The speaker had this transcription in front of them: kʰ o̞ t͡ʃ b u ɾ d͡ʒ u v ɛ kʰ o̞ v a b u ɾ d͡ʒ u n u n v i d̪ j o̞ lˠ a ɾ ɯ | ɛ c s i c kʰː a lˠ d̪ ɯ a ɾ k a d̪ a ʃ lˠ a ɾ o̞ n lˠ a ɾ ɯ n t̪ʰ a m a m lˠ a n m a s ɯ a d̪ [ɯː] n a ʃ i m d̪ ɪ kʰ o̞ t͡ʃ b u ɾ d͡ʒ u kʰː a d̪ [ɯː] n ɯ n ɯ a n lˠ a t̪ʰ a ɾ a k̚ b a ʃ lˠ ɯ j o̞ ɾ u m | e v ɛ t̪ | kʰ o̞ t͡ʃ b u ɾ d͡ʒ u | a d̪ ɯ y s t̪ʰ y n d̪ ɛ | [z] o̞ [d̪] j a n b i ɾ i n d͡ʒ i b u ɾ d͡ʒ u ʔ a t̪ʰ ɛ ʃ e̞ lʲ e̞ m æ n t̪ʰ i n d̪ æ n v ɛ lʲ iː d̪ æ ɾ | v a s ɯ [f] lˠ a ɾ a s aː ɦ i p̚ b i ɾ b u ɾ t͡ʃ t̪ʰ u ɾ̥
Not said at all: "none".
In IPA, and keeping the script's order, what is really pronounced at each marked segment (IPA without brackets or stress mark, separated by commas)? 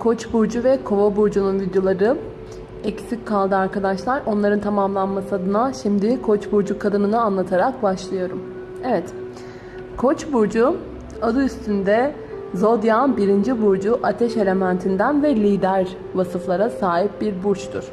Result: ɯ, ɯ, z, d̪, f